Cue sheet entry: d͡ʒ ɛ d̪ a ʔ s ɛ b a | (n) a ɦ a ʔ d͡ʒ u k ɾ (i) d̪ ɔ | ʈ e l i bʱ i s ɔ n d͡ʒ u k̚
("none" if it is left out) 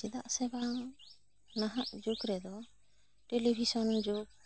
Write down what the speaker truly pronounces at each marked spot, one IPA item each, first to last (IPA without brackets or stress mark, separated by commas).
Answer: n, ɛ